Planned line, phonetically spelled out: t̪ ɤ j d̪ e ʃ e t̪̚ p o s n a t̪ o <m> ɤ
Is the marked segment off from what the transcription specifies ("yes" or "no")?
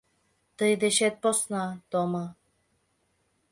no